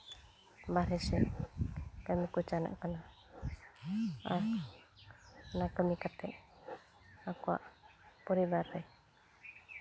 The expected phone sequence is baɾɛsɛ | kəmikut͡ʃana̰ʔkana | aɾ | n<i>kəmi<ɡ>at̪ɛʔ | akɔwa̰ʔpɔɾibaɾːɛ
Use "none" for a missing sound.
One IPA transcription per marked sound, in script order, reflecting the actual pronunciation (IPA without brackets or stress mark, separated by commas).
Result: a, k